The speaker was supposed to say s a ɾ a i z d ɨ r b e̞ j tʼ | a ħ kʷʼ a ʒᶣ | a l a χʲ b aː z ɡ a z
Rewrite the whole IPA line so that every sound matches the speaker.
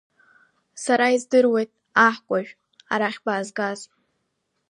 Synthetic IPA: s a ɾ a i z d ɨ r w e̞ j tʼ | a ħ kʷʼ a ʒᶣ | a ɾ a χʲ b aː z ɡ a z